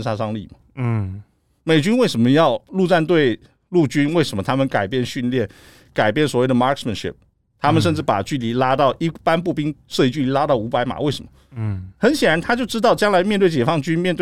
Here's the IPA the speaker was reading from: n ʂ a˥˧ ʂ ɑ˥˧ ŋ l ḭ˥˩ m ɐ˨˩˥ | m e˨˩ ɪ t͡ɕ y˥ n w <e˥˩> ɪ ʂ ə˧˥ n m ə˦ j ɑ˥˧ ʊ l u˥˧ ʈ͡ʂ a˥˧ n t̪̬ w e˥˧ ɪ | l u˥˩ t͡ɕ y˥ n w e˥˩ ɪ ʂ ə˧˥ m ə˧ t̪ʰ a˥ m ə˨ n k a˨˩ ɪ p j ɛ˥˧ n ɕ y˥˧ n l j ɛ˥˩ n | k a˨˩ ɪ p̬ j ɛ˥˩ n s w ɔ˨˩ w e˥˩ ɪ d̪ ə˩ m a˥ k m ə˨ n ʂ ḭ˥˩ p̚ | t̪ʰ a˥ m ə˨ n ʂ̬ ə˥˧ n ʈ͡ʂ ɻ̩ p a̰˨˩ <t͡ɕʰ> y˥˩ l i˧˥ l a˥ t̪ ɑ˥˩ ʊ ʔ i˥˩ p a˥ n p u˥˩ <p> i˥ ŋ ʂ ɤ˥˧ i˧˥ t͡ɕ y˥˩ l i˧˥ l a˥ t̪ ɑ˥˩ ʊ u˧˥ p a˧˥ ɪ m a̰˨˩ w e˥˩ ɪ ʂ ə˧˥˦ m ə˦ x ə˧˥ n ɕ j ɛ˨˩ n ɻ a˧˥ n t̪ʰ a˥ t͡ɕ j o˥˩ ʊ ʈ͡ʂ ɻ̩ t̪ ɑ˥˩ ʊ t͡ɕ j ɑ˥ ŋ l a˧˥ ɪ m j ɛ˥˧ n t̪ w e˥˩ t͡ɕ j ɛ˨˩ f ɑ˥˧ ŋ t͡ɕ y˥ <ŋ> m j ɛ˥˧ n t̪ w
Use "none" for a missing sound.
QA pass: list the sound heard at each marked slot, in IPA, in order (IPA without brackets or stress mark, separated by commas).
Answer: e˥˩, t͡ɕ, p, n